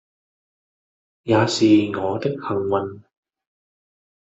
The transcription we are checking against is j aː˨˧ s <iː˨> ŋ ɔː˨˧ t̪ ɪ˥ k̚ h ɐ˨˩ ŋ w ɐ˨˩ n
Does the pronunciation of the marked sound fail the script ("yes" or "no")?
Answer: no